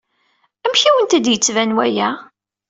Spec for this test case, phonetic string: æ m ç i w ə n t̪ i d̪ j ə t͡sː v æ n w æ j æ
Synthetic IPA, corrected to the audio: æ m ç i w ə n t̪ æ d̪ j ə t͡sː v æ n w æ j æ